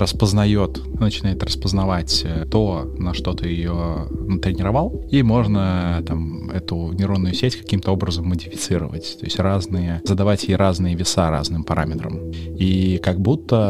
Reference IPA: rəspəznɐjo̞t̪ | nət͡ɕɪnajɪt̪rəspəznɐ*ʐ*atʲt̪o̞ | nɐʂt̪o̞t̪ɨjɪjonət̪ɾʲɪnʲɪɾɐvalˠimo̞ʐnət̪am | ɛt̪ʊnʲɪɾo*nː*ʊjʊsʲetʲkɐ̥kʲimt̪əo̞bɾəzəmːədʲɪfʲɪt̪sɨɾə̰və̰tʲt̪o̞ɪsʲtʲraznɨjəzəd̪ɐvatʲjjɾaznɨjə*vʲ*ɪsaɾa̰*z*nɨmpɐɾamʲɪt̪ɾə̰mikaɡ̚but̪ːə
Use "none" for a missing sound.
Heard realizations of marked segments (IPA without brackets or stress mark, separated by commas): v, nː, vʲ, z